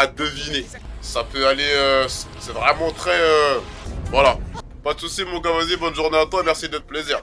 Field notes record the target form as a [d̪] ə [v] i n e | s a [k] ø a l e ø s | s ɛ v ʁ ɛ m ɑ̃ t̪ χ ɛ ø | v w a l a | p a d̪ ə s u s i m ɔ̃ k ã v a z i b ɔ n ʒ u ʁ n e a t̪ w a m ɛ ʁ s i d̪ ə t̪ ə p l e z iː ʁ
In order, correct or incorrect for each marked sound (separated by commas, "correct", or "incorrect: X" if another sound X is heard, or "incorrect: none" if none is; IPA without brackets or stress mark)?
correct, correct, incorrect: p